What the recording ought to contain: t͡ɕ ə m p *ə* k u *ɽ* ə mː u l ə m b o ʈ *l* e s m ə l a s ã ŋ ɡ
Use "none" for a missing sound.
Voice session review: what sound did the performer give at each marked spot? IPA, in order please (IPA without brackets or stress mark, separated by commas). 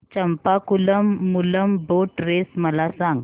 a, l, ɾ